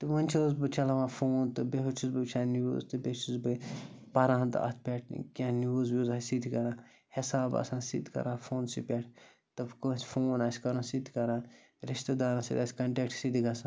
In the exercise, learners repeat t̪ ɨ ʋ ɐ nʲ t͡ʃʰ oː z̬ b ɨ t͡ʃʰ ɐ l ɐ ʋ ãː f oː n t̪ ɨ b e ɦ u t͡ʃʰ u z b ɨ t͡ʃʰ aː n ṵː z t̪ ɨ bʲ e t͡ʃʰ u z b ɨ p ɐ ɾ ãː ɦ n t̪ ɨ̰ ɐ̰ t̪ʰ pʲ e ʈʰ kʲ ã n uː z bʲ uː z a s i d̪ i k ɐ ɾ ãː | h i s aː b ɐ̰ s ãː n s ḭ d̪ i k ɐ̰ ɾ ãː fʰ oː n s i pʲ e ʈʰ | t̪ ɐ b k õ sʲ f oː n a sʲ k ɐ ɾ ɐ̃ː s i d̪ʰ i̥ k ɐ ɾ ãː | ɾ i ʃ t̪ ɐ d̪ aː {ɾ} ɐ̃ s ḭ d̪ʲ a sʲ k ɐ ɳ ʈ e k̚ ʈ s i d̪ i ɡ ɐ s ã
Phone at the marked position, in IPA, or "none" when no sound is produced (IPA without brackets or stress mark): ɾ